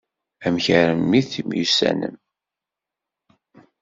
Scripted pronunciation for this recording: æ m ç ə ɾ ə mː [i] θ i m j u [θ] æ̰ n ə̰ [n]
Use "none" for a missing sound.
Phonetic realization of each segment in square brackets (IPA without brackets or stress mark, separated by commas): i, s, m